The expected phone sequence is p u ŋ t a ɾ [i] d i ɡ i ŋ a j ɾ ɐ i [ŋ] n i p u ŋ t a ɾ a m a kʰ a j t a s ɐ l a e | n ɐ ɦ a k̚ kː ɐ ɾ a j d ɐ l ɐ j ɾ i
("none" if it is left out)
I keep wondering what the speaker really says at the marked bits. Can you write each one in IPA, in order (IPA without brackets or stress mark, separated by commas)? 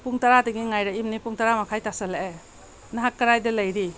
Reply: a, m